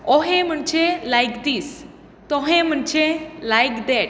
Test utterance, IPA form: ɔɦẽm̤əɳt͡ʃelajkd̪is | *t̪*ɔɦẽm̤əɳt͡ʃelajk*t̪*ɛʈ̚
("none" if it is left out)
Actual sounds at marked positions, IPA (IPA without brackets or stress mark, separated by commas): t̪, d̪